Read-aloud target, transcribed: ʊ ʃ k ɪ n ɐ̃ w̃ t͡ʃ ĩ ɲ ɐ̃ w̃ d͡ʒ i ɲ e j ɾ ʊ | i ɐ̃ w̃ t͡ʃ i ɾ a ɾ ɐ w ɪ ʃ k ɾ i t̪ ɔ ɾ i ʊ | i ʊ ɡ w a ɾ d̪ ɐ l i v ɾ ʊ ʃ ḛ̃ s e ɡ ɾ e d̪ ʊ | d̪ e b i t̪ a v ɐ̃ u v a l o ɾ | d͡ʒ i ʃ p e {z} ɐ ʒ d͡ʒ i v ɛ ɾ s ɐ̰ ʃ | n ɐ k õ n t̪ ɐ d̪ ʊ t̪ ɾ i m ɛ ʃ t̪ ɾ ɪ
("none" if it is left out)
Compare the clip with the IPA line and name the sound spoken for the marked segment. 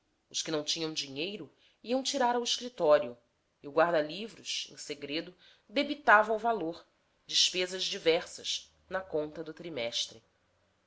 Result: z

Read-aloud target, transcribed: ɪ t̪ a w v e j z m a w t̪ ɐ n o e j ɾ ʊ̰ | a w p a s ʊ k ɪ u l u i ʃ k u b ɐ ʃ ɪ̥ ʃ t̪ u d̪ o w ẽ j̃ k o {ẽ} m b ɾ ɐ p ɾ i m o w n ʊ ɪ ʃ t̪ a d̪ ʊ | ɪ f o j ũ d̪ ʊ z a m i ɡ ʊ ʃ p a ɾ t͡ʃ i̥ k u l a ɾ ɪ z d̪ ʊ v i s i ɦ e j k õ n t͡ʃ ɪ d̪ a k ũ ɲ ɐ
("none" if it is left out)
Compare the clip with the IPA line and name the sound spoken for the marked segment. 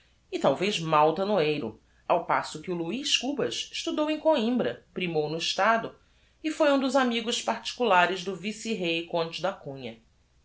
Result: ĩ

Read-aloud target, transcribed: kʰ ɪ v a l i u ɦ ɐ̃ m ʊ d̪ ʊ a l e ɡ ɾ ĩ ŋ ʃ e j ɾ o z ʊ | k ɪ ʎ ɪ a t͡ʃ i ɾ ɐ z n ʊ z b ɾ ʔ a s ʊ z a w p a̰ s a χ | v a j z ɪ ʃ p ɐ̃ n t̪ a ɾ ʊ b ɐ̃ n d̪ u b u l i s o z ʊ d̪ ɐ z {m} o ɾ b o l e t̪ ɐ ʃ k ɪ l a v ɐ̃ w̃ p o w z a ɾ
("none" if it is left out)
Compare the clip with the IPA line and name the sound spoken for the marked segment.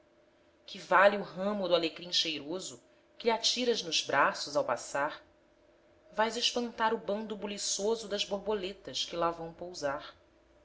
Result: b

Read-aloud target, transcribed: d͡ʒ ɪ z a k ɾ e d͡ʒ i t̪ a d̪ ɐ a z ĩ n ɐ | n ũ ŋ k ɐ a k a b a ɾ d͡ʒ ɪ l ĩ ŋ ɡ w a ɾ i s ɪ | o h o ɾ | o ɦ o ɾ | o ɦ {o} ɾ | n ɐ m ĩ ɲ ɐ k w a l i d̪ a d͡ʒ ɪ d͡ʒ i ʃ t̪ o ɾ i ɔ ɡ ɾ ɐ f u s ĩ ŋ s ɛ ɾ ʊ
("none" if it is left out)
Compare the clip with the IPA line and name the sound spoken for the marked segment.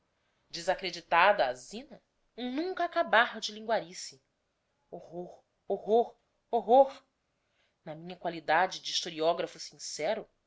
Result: o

